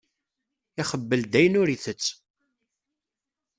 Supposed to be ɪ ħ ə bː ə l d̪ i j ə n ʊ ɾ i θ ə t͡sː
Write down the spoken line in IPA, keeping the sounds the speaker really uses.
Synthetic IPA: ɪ χ ə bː ə l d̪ æ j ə n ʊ ɾ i θ ə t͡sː